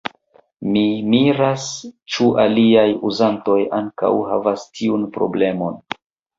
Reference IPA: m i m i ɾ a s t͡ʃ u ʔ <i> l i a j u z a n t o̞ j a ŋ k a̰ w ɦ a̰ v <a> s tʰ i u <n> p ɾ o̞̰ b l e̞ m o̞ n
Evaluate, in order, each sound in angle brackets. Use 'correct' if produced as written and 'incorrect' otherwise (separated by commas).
incorrect, correct, correct